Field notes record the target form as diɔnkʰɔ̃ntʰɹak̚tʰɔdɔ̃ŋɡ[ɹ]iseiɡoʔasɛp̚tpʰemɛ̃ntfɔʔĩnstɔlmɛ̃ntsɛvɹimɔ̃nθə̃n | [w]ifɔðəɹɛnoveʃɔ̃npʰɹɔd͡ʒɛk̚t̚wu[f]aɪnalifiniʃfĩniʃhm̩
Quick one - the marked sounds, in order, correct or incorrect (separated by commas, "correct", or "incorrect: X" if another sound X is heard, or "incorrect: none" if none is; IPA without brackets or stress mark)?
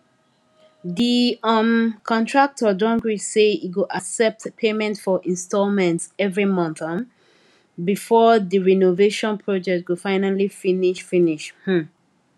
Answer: correct, incorrect: b, correct